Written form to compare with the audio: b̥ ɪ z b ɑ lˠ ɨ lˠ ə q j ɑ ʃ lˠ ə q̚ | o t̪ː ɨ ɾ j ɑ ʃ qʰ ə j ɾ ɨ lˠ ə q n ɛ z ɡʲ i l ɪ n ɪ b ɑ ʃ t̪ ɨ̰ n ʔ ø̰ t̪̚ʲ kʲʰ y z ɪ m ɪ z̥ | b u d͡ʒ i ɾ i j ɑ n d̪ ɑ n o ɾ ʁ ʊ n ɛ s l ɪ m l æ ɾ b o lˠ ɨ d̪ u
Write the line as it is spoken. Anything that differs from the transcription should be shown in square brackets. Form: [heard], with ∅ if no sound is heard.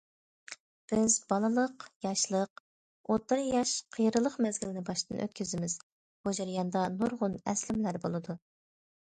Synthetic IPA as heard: b̥ ɪ z b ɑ lˠ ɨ lˠ ə q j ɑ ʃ lˠ ə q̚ | o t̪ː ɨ ɾ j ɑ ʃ qʰ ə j ɾ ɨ lˠ ə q [m] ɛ z ɡʲ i l ɪ n ɪ b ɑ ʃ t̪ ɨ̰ n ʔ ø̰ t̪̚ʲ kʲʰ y z ɪ m ɪ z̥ | b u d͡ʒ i ɾ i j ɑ n d̪ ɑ n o ɾ ʁ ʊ n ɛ s l ɪ m l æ ɾ b o lˠ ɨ d̪ u